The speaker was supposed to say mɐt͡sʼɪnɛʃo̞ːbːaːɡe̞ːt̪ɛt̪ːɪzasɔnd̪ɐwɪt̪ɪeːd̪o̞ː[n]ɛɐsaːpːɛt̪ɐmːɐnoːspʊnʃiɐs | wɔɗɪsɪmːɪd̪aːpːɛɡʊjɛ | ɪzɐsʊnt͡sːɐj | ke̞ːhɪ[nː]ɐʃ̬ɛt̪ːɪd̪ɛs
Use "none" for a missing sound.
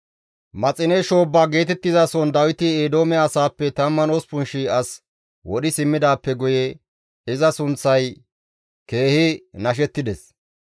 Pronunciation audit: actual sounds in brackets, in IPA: m, n

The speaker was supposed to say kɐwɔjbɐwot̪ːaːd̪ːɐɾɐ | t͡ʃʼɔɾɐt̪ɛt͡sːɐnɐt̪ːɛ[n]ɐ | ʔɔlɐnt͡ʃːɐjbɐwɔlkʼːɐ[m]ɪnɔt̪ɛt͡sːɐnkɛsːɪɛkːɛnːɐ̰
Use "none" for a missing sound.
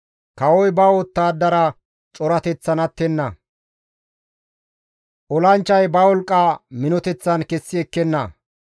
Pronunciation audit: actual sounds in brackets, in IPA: nː, m

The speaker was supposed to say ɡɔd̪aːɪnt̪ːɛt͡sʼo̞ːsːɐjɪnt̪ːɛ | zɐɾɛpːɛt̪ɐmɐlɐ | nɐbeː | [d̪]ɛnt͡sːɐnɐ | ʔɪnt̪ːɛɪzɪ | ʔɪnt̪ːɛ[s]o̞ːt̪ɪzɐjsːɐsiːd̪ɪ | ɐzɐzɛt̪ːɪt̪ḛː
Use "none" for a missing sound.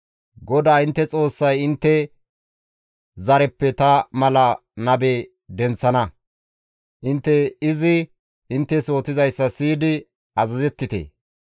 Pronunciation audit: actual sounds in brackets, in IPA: d̪, s

